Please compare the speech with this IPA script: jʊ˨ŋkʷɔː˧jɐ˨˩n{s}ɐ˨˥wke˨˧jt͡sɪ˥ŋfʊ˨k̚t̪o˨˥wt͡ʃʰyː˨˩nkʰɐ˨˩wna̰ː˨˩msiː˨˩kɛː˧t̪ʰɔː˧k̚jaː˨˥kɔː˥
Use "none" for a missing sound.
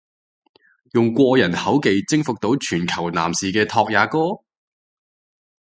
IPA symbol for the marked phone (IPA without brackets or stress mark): h